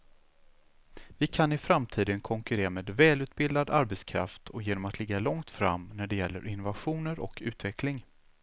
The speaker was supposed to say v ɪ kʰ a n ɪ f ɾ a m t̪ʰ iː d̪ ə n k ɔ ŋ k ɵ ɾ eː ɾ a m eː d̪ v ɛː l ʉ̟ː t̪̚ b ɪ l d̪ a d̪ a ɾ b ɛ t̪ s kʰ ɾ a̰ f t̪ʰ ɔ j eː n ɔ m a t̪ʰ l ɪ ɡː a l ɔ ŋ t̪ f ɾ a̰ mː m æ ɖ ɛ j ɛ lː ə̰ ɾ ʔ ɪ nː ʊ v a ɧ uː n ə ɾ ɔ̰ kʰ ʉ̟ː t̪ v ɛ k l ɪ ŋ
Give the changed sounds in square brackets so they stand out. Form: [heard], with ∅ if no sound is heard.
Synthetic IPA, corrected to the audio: v ɪ kʰ a n ɪ f ɾ a m t̪ʰ iː d̪ ə n [kʰ] ɔ ŋ k ɵ ɾ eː ɾ a m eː d̪ v ɛː l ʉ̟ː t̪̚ b ɪ l d̪ a d̪ a ɾ b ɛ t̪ s kʰ ɾ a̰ f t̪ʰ ɔ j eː n ɔ m a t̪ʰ l ɪ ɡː a l ɔ ŋ t̪ f ɾ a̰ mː [n] æ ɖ ɛ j ɛ lː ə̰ ɾ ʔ ɪ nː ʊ v a ɧ uː n ə ɾ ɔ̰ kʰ ʉ̟ː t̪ v ɛ k l ɪ ŋ